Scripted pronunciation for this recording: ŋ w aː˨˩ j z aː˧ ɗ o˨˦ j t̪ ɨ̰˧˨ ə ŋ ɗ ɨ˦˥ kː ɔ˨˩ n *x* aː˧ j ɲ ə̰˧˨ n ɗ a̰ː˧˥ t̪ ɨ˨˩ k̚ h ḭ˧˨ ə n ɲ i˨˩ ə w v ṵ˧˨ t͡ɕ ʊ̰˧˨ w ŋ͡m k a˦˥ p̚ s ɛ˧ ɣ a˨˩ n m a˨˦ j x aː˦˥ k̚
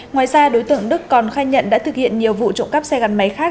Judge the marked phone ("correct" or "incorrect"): correct